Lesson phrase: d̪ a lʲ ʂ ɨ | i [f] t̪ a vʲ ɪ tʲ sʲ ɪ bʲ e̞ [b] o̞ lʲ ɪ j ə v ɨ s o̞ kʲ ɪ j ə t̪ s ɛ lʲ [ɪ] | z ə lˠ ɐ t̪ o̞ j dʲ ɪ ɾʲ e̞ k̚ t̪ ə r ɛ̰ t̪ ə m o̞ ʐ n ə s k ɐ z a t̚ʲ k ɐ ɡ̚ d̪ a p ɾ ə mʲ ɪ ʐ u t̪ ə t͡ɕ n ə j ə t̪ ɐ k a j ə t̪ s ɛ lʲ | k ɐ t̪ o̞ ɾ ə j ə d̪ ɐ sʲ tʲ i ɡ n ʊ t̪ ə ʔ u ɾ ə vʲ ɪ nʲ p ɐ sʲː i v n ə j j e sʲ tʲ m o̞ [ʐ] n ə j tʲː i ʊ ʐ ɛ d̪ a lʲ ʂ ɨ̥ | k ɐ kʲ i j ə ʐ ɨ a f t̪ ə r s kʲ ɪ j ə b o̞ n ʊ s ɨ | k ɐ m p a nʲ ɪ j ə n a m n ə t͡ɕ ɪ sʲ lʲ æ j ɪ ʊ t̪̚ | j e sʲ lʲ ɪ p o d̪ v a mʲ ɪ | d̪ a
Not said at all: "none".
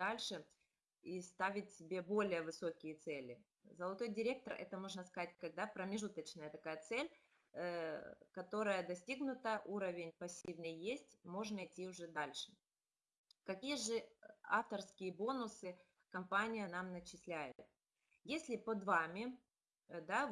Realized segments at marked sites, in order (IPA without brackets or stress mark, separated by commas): s, b, ɪ, ʐ